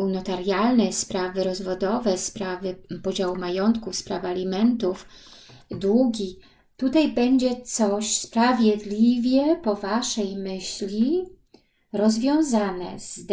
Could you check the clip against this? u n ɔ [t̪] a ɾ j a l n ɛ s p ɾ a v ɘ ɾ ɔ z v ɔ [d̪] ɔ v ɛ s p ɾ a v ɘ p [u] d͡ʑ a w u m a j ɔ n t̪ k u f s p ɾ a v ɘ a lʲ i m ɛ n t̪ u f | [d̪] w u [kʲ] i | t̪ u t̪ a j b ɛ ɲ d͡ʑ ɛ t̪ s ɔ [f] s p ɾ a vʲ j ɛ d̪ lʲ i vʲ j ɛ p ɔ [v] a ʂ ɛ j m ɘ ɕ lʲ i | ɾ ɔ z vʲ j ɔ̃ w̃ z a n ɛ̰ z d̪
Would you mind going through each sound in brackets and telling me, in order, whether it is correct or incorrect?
correct, correct, incorrect: ɔ, correct, incorrect: ɡʲ, incorrect: ɕ, correct

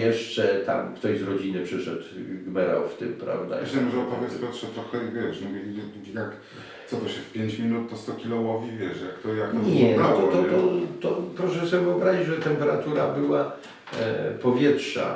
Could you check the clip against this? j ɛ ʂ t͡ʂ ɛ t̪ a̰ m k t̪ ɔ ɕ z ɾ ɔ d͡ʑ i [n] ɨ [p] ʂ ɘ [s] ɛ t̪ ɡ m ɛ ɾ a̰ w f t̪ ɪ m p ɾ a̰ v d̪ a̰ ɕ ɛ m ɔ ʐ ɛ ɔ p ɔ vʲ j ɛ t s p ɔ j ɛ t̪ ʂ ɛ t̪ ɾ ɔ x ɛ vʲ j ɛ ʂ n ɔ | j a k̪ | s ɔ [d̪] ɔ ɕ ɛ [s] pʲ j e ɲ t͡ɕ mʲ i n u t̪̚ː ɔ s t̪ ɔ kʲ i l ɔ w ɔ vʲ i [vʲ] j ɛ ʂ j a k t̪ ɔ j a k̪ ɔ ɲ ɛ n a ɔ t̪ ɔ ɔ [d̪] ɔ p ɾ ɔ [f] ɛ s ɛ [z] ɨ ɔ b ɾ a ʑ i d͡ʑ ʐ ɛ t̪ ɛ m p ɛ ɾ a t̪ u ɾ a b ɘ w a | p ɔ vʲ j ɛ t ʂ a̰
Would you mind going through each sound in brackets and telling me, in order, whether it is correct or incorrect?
correct, correct, incorrect: ʂ, incorrect: t̪, incorrect: f, correct, incorrect: t̪, incorrect: ʂ, incorrect: v

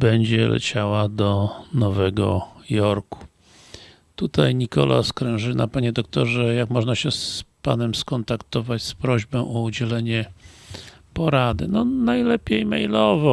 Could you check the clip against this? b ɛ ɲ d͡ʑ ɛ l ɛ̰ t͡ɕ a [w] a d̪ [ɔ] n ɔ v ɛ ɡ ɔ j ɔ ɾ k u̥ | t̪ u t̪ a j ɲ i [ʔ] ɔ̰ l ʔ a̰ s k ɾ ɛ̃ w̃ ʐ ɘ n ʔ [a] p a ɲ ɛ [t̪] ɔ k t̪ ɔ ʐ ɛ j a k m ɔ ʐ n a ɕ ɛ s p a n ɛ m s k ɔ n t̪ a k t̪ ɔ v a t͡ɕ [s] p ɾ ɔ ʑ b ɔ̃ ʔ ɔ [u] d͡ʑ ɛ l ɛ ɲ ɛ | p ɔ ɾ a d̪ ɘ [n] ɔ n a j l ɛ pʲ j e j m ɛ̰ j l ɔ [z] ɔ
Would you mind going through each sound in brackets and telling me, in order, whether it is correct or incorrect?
correct, correct, incorrect: k, correct, incorrect: d̪, correct, correct, correct, incorrect: v

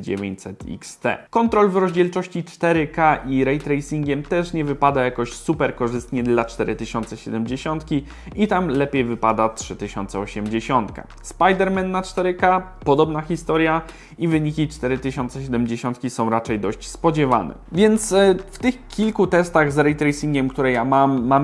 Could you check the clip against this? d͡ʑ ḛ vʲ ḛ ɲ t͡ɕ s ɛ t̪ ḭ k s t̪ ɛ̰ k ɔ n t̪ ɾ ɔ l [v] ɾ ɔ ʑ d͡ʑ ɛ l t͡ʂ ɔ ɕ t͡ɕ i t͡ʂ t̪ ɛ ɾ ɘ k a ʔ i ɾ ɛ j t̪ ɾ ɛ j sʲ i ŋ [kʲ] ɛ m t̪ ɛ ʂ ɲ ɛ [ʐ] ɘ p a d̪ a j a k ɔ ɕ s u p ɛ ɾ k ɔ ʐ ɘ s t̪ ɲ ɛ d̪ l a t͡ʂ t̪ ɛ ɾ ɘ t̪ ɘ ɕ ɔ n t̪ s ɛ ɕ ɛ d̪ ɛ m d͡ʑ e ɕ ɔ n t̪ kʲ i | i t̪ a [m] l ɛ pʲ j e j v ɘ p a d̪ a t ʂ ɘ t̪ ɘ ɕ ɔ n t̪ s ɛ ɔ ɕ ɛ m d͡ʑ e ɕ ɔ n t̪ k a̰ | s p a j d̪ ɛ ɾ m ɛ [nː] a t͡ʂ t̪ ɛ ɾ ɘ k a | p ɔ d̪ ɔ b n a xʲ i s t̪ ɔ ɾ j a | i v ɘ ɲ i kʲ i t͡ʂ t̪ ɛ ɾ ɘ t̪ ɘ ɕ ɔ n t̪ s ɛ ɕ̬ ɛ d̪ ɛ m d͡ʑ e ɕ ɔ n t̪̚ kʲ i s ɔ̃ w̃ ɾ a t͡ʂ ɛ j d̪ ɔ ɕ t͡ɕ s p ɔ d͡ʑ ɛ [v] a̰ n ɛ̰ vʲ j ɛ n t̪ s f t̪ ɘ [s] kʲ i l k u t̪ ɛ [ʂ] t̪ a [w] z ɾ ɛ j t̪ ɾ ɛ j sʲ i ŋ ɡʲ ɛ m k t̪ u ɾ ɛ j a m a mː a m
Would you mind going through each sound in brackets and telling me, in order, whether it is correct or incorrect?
correct, incorrect: ɡʲ, incorrect: v, correct, correct, correct, incorrect: x, incorrect: s, incorrect: ɣ

